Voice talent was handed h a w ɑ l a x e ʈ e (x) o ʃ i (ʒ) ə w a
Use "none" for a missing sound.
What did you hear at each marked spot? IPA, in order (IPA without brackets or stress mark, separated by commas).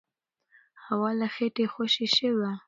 x, ʃ